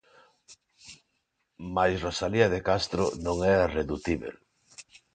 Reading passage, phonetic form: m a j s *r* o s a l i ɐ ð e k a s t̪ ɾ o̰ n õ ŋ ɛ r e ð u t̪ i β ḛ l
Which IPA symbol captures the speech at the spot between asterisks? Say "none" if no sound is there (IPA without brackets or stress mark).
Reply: r